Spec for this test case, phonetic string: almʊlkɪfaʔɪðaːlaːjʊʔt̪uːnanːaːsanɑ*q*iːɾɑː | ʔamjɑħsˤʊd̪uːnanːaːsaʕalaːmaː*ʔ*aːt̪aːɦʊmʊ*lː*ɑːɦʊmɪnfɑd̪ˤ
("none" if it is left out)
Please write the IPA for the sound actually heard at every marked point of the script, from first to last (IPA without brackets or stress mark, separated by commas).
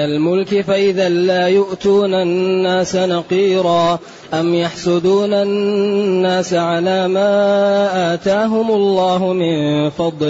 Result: q, ʔ, lː